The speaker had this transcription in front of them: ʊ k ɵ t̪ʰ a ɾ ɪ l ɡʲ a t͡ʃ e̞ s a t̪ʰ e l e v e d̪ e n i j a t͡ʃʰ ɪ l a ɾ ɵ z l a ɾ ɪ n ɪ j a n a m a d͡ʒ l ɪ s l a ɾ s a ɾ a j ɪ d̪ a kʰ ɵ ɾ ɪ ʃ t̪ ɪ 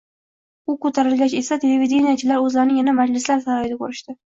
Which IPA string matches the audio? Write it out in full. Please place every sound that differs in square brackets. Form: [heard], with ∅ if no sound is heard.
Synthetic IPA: ʊ k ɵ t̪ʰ a ɾ ɪ l ɡʲ a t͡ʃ e̞ s a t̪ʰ e l e v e d̪ e n i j a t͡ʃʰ ɪ l a ɾ ɵ z l a ɾ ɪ n ɪ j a n a m a d͡ʒ l ɪ s l a ɾ s a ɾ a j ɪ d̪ a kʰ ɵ ɾ ɪ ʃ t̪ ɪ